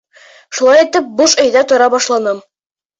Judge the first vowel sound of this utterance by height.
high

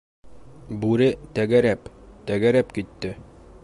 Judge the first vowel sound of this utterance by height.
high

